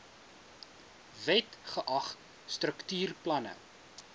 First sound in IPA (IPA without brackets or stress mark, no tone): v